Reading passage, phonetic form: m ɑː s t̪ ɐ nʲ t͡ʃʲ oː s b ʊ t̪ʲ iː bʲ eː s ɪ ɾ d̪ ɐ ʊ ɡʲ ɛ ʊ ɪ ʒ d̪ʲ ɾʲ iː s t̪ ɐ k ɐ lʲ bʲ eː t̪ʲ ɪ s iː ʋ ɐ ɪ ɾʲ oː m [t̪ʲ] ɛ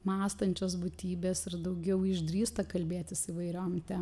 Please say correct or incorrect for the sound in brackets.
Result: correct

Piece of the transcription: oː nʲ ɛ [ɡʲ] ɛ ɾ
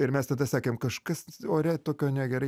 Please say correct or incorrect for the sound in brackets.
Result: correct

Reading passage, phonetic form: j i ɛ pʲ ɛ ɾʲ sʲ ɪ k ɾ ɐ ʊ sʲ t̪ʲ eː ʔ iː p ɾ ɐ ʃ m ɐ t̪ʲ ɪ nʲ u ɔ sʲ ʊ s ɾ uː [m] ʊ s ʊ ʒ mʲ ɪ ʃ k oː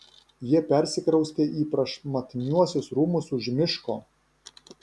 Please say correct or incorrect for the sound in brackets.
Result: correct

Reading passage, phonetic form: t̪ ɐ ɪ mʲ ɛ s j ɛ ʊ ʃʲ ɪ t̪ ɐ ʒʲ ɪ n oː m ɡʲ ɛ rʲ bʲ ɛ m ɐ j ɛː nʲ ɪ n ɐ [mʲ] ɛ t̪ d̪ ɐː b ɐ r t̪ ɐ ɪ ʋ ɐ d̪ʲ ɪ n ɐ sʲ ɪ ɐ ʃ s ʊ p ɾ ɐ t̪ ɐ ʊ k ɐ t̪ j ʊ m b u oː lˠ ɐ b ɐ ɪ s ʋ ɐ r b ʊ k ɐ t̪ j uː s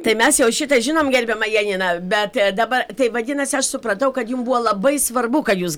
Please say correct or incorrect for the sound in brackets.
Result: incorrect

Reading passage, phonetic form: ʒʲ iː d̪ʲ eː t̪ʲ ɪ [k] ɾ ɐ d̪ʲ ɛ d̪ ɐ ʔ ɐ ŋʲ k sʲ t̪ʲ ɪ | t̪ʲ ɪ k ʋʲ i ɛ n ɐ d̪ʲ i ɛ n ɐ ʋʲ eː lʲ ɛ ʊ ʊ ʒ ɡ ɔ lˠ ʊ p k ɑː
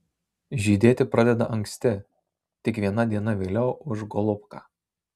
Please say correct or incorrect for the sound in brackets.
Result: incorrect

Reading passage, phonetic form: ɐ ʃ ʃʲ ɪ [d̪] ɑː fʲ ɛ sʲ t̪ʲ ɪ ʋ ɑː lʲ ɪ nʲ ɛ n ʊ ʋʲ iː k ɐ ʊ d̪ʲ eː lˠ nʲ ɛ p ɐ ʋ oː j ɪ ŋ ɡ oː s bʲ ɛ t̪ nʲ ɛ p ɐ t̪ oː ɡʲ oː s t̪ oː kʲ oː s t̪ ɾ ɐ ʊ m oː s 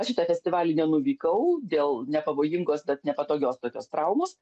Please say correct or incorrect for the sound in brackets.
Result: incorrect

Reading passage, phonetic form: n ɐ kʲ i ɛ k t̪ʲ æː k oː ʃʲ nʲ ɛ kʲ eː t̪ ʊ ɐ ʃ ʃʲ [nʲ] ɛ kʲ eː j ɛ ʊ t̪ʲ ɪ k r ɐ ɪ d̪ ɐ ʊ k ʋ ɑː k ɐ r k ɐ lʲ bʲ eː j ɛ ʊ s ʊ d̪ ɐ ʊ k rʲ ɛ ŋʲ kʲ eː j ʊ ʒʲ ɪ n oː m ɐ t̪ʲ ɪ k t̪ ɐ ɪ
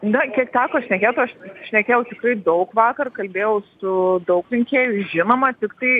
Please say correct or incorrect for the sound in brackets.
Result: correct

